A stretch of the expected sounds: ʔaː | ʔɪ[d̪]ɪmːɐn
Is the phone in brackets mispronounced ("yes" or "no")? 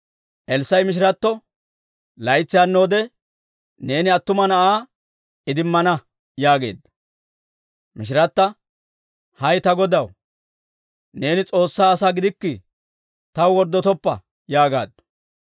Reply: no